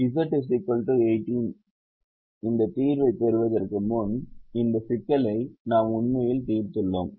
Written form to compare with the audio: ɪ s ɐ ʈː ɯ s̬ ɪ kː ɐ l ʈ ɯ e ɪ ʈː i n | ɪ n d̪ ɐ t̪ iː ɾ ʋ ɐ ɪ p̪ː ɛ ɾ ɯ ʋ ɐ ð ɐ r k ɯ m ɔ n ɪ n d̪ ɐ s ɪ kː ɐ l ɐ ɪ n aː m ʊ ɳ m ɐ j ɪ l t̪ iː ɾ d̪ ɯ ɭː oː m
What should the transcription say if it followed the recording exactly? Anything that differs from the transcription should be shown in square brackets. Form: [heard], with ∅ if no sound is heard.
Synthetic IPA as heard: ɪ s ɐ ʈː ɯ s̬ ɪ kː ɐ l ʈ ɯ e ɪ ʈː i n | ɪ n d̪ ɐ t̪ iː ɾ ʋ ɐ ɪ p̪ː ɛ ɾ ɯ ʋ ɐ ð ɐ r k ɯ m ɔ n ɪ n d̪ ɐ s ɪ kː ɐ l ɐ ɪ n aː m ʊ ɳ m ɐ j ɪ l t̪ iː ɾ [t̪] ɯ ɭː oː m

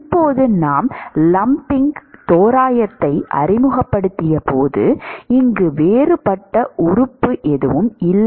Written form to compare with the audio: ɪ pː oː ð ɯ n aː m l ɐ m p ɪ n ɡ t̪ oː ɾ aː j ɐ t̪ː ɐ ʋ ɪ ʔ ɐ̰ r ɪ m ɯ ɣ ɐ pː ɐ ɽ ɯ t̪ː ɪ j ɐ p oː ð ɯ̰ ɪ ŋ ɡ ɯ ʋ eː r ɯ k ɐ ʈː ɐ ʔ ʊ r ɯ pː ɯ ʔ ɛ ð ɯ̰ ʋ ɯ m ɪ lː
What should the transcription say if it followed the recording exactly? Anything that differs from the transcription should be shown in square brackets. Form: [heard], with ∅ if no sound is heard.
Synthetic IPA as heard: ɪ pː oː ð ɯ n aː m l ɐ m p ɪ [ŋ] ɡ t̪ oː ɾ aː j ɐ t̪ː ɐ [∅] ɪ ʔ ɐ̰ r ɪ m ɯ ɣ ɐ pː ɐ ɽ ɯ t̪ː ɪ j ɐ p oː ð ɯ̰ ɪ ŋ ɡ ɯ ʋ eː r ɯ [p] ɐ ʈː ɐ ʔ ʊ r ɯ pː ɯ ʔ ɛ ð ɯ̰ ʋ ɯ m ɪ lː

